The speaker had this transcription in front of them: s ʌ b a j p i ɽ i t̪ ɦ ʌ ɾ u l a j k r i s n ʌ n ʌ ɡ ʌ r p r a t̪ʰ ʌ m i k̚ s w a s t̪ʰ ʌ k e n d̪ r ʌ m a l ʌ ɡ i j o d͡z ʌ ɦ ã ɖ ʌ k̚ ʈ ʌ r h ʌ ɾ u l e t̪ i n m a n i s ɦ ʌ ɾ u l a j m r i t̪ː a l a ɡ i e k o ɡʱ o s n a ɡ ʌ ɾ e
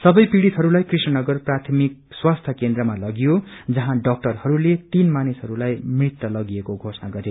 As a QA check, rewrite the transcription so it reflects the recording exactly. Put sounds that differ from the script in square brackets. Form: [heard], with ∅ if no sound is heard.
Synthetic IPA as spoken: s ʌ b [ʌ] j p i ɽ i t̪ ɦ ʌ ɾ u l a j k r i s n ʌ n ʌ ɡ ʌ r p r a t̪ʰ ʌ m i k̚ s w a s t̪ʰ ʌ k e n d̪ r ʌ m a l ʌ ɡ i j o d͡z ʌ ɦ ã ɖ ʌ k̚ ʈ ʌ r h ʌ ɾ u l e t̪ i n m a n i s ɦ ʌ ɾ u l a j m r i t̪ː [ʌ] l [ʌ] ɡ i e k o ɡʱ o s n a ɡ ʌ ɾ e

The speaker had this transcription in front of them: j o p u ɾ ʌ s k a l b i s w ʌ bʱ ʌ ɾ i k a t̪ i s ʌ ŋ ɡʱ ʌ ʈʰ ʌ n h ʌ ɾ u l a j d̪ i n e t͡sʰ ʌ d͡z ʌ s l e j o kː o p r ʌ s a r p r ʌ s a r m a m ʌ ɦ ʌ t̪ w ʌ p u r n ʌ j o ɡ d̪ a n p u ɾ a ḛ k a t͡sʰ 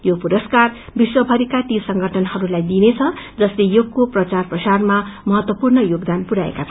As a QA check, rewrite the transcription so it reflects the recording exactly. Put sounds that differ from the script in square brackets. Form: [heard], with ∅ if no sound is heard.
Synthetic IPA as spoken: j o p u ɾ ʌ s k a [r] b i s w ʌ bʱ ʌ ɾ i k a t̪ i s ʌ ŋ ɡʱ ʌ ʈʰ ʌ n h ʌ ɾ u l a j d̪ i n e t͡sʰ ʌ d͡z ʌ s l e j o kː o p r ʌ [t͡s] a r p r ʌ s a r m a m ʌ ɦ ʌ t̪ w ʌ p u r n ʌ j o ɡ d̪ a n p u ɾ a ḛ k a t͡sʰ

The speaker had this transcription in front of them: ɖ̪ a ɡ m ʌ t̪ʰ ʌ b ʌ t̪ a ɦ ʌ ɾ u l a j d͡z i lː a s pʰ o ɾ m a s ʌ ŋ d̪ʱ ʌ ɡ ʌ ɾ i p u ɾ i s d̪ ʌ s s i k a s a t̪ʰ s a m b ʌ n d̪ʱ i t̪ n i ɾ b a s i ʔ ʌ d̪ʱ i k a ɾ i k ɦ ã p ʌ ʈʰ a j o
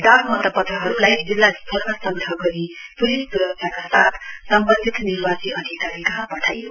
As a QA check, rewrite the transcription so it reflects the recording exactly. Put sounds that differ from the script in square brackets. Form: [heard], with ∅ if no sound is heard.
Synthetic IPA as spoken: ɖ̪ a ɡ m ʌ [t̪] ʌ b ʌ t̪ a ɦ ʌ ɾ u l a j d͡z i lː a s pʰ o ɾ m a s ʌ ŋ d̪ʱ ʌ ɡ ʌ ɾ i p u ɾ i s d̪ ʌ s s [a] k a s a t̪ʰ s [ʌ] m b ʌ n d̪ʱ i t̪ n i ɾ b a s i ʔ ʌ d̪ʱ i k a ɾ i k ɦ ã p ʌ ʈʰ a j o

